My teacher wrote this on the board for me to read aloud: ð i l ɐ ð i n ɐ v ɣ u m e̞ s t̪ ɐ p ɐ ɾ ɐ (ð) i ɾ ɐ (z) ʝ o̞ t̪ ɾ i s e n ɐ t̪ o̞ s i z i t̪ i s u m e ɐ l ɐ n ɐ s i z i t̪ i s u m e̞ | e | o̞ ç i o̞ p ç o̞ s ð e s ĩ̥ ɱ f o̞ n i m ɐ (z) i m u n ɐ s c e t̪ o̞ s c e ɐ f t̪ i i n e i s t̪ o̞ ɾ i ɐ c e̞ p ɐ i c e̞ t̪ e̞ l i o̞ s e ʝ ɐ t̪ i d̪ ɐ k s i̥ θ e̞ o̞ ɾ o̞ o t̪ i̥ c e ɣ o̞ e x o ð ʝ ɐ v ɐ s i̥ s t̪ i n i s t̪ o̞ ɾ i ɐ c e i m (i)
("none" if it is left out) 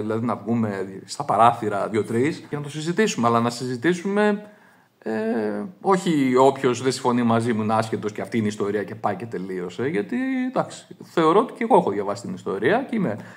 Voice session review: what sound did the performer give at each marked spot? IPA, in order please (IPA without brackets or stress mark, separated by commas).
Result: θ, ð, z, e